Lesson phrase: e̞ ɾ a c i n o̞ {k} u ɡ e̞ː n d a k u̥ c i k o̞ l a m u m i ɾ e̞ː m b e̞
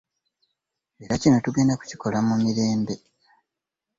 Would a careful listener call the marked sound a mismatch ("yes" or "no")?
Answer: yes